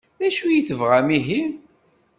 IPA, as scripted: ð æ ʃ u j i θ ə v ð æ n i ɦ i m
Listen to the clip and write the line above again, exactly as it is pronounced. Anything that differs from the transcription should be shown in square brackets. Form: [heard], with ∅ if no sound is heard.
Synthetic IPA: ð æ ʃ u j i θ ə v [ʁ] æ [m] i ɦ i m